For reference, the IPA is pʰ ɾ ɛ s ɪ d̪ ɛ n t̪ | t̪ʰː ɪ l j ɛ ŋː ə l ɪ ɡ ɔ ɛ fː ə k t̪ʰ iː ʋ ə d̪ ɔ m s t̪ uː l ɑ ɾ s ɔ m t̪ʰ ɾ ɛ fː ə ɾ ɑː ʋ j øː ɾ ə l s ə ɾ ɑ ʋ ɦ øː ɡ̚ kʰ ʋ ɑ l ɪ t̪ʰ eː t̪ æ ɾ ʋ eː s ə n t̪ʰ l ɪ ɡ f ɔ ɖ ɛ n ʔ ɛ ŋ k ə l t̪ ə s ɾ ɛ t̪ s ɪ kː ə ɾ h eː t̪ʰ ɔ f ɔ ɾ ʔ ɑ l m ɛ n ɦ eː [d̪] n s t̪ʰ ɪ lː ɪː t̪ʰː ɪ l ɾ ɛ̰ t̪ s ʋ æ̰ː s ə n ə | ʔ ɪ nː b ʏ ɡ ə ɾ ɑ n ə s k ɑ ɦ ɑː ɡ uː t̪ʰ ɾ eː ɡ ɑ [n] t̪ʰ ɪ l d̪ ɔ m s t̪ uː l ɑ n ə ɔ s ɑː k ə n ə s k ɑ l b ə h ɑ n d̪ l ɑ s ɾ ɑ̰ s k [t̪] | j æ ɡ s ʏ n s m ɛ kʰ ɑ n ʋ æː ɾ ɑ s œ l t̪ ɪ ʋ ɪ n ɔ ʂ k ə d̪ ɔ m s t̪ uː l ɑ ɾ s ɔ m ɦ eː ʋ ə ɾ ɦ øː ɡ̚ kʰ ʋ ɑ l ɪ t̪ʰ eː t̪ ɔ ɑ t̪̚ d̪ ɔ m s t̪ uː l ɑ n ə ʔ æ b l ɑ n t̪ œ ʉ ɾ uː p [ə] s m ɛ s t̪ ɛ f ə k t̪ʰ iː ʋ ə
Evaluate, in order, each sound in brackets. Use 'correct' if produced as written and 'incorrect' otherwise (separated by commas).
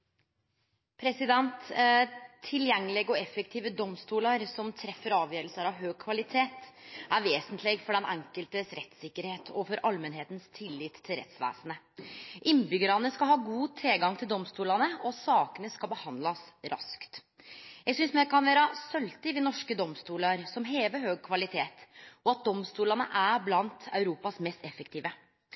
incorrect, incorrect, correct, incorrect